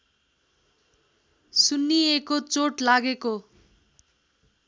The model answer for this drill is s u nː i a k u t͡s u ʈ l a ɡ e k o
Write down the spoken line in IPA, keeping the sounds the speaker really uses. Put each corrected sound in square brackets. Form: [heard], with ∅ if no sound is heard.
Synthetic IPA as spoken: s u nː i [e] k [o] t͡s [o] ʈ l a ɡ e k o

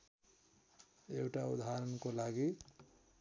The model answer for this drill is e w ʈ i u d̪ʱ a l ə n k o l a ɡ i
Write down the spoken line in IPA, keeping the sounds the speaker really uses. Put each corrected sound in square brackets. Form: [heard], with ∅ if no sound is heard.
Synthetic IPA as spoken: e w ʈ [a] u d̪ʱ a [ɾ] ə n k o l a ɡ i

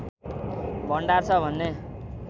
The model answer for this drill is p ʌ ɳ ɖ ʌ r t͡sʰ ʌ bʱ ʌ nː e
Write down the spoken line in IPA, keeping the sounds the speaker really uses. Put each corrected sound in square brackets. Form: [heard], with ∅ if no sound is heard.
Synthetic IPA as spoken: [b] ʌ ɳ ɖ [a] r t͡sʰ ʌ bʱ ʌ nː e

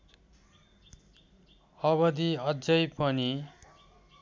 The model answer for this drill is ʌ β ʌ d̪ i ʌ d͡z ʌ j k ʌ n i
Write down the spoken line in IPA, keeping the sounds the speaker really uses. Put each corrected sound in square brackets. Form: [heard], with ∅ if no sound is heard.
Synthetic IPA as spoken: ʌ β ʌ d̪ i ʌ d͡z ʌ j [p] ʌ n i

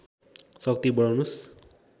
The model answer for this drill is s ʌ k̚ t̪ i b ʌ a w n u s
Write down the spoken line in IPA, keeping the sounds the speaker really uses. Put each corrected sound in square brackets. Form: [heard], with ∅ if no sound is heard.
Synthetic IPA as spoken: s ʌ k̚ t̪ i b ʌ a w n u s

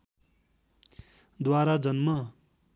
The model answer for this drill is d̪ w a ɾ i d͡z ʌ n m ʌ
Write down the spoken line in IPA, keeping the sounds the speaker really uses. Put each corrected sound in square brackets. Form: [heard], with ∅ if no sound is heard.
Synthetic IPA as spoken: d̪ w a ɾ [a] d͡z ʌ n m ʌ

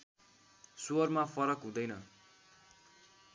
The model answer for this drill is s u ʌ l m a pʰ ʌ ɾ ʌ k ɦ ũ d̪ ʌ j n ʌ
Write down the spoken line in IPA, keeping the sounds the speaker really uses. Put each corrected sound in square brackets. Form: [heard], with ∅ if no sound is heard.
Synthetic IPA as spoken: s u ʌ [r] m a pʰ ʌ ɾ ʌ k ɦ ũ d̪ ʌ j n ʌ

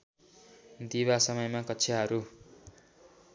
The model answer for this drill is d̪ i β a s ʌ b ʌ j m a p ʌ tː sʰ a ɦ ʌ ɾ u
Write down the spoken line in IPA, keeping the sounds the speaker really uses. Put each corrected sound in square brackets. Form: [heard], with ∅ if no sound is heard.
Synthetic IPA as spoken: d̪ i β a s ʌ [m] ʌ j m a [k] ʌ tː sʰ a ɦ ʌ ɾ u

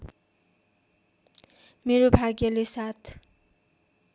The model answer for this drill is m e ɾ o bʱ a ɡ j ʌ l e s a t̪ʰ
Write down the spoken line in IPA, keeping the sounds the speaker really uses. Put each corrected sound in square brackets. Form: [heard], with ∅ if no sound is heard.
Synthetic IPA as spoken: m e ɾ o bʱ a ɡ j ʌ l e s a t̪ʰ

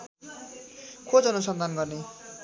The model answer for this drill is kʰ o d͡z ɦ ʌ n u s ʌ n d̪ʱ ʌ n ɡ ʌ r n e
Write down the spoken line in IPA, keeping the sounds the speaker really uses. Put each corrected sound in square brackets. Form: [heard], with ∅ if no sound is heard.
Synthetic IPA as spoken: kʰ o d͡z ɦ ʌ n u s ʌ n d̪ʱ [a] n ɡ ʌ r n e

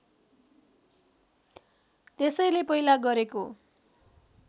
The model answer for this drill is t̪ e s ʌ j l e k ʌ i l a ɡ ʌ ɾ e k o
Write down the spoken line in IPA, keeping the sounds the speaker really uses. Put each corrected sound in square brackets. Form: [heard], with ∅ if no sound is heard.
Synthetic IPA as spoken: t̪ e s ʌ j l e [p] ʌ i l a ɡ ʌ ɾ e k o

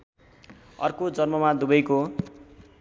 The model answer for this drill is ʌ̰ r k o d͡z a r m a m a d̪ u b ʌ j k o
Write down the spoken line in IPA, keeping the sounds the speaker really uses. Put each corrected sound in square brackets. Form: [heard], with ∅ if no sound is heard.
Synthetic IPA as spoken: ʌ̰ r k o d͡z [ʌ] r m [ʌ] m a d̪ u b ʌ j k o

